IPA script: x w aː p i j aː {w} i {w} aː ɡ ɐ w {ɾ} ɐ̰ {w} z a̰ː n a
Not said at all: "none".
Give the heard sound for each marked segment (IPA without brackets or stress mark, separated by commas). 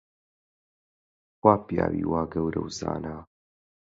w, w, ɾ, w